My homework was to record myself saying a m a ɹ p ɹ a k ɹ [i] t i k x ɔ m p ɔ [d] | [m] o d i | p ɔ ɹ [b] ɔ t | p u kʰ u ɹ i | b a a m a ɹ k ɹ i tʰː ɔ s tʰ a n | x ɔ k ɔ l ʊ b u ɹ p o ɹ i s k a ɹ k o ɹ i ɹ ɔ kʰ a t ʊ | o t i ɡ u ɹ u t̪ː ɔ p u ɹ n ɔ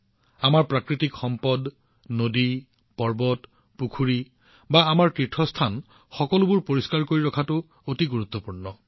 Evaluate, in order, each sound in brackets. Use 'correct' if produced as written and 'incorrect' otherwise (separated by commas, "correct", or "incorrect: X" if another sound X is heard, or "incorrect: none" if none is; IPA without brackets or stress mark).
correct, correct, incorrect: n, correct